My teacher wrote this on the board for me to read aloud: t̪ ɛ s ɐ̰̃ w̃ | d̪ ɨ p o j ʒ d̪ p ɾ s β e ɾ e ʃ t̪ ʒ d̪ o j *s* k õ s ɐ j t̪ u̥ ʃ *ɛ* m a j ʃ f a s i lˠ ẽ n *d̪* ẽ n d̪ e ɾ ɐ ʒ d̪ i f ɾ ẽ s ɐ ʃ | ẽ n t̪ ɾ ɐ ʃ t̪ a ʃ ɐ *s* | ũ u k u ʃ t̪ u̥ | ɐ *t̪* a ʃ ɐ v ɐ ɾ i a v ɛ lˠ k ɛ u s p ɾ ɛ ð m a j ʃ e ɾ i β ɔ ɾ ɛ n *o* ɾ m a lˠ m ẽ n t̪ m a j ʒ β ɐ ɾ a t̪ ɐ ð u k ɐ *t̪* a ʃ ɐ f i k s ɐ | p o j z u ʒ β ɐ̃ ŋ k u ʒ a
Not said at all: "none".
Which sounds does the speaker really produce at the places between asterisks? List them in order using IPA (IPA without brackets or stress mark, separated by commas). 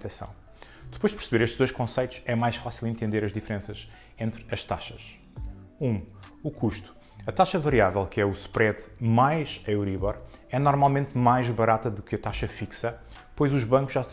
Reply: ʃ, ɛ, t̪, ʃ, t̪, ɔ, t̪